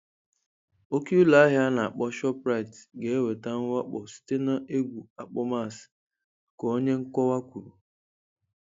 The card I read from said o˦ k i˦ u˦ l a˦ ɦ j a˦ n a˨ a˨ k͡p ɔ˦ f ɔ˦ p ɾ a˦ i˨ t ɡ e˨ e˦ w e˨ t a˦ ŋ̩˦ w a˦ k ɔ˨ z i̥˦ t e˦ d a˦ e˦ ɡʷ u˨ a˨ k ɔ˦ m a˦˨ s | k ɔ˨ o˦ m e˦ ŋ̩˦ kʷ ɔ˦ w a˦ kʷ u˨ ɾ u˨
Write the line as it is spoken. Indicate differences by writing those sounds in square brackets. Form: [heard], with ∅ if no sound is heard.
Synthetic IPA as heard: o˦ k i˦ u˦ l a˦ ɦ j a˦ n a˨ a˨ k͡p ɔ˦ [ʃ] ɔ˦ p ɾ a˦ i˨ t ɡ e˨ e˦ w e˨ t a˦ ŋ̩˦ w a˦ [k͡p] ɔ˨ [s] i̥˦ t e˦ [n] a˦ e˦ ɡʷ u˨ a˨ [k͡p] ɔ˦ m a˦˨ s | k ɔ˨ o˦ [ɲ] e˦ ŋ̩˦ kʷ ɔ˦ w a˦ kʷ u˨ ɾ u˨